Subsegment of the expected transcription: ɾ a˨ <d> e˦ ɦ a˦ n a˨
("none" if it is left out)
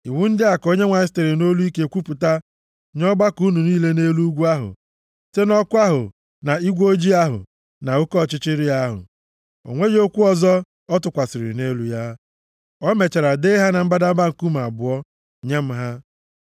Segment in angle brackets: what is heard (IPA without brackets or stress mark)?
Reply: d